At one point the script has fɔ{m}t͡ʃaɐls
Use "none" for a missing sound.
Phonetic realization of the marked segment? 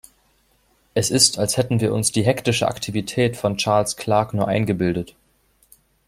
n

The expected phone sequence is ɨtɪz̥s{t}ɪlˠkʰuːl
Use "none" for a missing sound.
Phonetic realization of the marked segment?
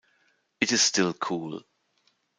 t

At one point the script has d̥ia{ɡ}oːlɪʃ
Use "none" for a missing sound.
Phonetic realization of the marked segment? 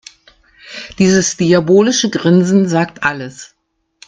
b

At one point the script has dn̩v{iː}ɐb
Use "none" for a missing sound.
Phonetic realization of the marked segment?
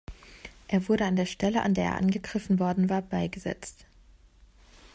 aː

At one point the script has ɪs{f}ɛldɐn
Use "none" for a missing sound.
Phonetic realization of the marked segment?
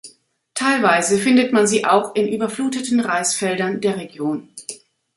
f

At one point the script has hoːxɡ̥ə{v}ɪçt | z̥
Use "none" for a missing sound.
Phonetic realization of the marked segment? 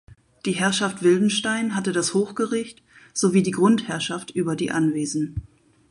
ʁ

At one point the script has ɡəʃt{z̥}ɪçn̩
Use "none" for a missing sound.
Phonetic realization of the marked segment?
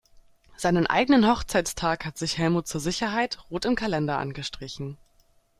ʁ̥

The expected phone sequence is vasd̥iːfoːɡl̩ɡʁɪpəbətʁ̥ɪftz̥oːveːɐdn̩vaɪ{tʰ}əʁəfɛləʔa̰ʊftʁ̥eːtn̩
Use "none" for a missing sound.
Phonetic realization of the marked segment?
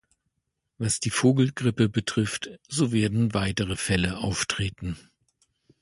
t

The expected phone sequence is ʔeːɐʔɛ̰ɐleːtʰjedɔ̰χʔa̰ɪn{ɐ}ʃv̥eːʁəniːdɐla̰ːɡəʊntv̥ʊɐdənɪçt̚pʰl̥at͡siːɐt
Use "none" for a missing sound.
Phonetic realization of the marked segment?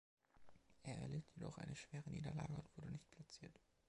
ə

